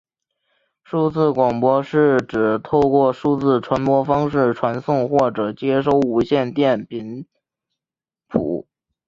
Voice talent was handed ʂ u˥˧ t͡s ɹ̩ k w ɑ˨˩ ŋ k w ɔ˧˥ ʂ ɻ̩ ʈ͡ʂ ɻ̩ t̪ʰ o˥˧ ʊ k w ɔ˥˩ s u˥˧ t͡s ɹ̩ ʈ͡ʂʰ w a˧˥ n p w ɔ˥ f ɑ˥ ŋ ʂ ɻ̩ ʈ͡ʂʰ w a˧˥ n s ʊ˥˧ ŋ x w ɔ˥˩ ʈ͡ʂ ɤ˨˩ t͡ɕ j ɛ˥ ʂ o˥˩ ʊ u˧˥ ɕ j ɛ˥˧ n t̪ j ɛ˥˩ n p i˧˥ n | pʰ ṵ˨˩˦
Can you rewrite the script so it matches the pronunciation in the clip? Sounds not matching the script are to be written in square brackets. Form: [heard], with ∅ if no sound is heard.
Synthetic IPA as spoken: ʂ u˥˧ t͡s ɹ̩ k w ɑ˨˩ ŋ [p] w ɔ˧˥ ʂ ɻ̩ ʈ͡ʂ ɻ̩ t̪ʰ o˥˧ ʊ k w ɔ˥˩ [ʂ] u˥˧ t͡s ɹ̩ ʈ͡ʂʰ w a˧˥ n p w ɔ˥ f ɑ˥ ŋ ʂ ɻ̩ ʈ͡ʂʰ w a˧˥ n s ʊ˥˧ ŋ x w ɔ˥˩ ʈ͡ʂ ɤ˨˩ t͡ɕ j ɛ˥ ʂ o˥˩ ʊ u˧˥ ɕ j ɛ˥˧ n t̪ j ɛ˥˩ n p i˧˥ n | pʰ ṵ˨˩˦